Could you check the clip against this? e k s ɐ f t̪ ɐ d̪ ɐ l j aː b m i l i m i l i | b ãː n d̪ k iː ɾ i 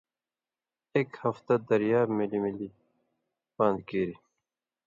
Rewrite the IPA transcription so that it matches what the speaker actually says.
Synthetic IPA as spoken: e k h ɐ f t̪ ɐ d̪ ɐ ɾ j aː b m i l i m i l i | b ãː n d̪ k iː ɾ i